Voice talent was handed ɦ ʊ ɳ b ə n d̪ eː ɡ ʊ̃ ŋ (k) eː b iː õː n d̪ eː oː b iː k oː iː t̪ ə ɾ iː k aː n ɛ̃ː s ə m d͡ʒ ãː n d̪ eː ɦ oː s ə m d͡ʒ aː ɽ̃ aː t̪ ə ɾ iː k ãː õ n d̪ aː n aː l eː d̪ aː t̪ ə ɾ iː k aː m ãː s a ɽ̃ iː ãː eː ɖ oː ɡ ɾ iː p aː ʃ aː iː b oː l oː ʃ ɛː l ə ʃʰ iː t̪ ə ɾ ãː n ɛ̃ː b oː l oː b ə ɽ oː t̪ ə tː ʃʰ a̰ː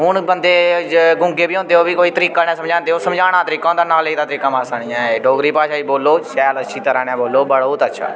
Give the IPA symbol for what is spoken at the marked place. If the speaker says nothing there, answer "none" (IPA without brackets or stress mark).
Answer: ɡ